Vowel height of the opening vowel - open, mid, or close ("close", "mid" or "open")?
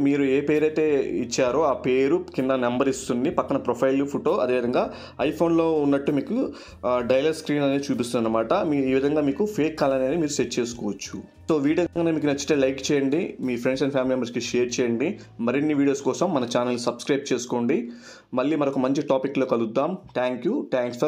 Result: close